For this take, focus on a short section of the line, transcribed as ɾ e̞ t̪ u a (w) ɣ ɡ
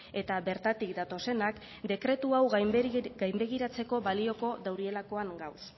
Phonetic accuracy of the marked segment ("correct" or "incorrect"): correct